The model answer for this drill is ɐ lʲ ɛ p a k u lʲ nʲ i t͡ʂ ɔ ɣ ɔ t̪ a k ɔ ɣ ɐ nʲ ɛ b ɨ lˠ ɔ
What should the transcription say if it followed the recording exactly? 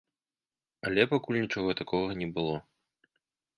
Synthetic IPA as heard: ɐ lʲ ɛ p a k u lʲ nʲ i t͡ʂ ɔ ɣ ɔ t̪ a k ɔ ɣ ɐ nʲ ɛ b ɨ lˠ ɔ